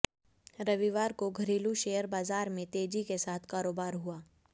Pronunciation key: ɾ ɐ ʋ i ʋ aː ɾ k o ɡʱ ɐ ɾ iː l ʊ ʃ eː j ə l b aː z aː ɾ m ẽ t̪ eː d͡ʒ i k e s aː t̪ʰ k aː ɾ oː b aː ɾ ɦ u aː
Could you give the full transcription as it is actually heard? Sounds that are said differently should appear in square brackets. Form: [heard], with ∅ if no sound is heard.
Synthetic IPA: ɾ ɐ ʋ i ʋ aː ɾ k o ɡʱ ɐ ɾ iː l [u] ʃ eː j ə [ɾ] b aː z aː ɾ m ẽ t̪ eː d͡ʒ i k e s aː t̪ʰ k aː ɾ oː b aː ɾ ɦ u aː